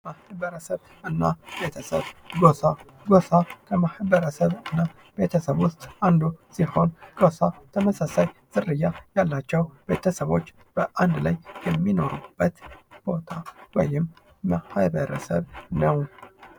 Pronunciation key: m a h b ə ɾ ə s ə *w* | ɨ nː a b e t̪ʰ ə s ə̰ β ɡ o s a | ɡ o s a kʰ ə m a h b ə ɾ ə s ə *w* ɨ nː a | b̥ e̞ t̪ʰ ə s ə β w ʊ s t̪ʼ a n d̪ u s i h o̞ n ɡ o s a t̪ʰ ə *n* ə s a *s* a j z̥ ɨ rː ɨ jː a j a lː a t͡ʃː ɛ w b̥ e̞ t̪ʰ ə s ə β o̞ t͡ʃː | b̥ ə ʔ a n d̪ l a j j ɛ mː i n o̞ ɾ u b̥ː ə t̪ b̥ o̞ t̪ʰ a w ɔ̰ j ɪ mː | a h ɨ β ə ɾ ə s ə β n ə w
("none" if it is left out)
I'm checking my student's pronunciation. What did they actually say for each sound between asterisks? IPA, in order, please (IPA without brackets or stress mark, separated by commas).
β, β, m, s